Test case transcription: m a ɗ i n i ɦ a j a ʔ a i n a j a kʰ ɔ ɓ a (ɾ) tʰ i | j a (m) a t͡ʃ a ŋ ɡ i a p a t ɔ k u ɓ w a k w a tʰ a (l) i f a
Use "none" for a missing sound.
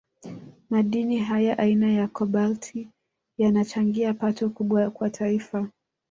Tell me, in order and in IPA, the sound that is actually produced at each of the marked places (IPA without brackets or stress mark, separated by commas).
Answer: l, n, none